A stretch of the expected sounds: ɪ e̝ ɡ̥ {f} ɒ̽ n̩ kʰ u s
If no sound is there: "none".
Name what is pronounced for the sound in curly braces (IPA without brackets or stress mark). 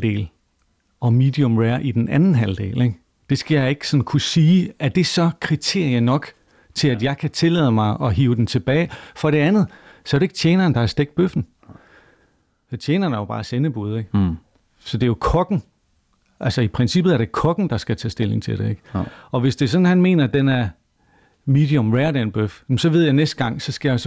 s